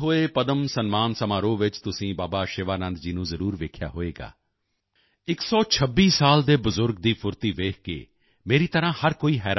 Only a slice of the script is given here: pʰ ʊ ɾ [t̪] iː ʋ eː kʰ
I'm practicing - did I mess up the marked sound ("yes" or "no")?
no